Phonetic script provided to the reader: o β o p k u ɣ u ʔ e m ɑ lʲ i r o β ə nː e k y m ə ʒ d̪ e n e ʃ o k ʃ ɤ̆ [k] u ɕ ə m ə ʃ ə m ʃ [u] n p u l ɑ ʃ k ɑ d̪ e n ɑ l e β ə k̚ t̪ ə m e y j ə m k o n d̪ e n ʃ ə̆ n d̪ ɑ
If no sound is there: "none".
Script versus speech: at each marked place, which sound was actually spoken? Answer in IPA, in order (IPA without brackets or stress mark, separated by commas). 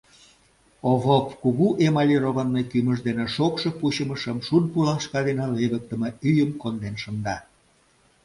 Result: p, u